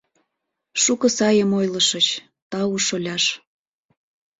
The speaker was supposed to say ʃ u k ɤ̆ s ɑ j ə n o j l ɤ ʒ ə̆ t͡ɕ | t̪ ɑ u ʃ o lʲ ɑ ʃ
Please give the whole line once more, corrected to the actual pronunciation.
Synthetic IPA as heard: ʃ u k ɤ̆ s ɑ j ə m o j l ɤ ʃ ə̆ t͡ɕ | t̪ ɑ u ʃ o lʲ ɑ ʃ

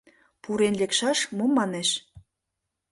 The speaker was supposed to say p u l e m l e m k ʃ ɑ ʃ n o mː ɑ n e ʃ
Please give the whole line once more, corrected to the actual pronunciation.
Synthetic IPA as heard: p u ɾ e n l e k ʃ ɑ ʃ m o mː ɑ n e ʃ

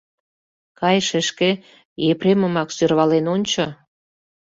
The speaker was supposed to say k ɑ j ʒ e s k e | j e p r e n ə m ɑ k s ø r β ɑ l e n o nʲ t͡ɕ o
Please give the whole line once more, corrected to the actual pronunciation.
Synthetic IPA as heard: k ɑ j ʃ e ʃ k e | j e p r e m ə m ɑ k s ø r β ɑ l e n o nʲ t͡ɕ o

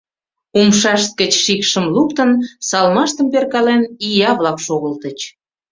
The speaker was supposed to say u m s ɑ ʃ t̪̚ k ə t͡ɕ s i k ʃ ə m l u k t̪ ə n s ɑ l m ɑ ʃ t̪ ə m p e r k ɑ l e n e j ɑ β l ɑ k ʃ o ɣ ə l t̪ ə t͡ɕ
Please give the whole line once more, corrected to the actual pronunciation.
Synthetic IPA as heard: u m ʃ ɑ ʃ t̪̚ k ə t͡ɕ ʃ i k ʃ ə m l u k t̪ ə n s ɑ l m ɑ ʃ t̪ ə m p e r k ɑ l e n i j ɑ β l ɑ k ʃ o ɣ ə l t̪ ə t͡ɕ

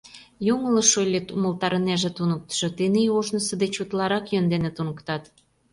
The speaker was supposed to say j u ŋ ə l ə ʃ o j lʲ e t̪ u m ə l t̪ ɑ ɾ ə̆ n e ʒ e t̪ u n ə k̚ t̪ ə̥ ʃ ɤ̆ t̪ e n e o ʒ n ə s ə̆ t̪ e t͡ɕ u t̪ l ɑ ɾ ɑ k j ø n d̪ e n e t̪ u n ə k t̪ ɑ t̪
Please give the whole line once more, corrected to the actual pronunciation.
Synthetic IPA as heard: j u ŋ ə l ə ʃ o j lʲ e t̪ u m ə l t̪ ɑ ɾ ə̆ n e ʒ e t̪ u n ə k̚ t̪ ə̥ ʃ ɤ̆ t̪ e n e o ʒ n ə s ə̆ d̪ e t͡ɕ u t̪ l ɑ ɾ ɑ k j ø n d̪ e n e t̪ u n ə k t̪ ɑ t̪

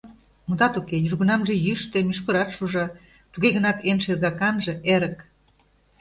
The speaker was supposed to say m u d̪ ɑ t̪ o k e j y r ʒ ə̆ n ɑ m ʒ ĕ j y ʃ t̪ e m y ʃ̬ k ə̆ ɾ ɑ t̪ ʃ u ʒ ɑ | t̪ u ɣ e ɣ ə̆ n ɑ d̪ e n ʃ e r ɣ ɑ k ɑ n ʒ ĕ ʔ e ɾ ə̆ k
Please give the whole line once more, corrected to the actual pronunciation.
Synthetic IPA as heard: m u d̪ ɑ t̪ u k e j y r ɣ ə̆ n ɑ m ʒ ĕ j y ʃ t̪ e m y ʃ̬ k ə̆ ɾ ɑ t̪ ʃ u ʒ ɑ | t̪ u ɣ e ɣ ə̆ n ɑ t̪ e n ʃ e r ɣ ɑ k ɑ n ʒ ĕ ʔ e ɾ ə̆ k

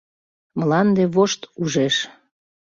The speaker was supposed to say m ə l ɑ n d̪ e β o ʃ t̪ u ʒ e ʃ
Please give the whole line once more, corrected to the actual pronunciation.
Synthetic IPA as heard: m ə l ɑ n d̪ e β o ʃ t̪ u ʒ e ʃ

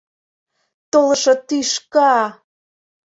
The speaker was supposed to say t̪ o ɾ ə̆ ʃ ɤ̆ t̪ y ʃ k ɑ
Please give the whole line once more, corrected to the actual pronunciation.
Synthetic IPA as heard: t̪ o l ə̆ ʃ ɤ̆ t̪ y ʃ k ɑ

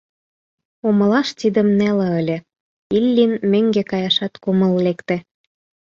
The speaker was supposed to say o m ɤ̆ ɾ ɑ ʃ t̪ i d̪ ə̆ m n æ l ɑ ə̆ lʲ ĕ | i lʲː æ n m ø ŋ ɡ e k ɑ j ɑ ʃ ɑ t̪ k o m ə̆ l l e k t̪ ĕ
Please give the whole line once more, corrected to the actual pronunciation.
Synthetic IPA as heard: o m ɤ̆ l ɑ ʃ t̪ i d̪ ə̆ m n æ l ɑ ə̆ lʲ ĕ | i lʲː i n m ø ŋ ɡ e k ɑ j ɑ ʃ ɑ t̪ k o m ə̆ l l e k t̪ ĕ

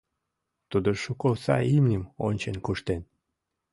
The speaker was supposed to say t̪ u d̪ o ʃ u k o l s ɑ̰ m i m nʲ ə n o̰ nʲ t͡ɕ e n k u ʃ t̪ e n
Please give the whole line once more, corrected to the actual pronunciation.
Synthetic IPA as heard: t̪ u d̪ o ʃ u k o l s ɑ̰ i m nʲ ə m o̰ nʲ t͡ɕ e n k u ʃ t̪ e n

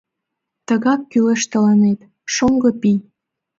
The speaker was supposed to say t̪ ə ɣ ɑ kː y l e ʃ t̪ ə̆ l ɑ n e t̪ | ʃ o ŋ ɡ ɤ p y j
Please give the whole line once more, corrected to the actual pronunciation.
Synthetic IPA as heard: t̪ ə ɣ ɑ kː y l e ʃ t̪ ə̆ l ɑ n e t̪ | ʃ o ŋ ɡ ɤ p i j

